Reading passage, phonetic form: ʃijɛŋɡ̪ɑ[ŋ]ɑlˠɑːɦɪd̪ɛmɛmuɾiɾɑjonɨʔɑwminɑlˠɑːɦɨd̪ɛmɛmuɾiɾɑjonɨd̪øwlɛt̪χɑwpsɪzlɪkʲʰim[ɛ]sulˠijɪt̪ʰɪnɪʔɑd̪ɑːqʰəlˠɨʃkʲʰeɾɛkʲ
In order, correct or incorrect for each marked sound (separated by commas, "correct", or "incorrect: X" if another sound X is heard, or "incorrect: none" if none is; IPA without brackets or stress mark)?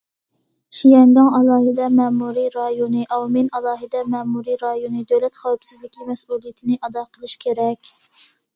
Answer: correct, correct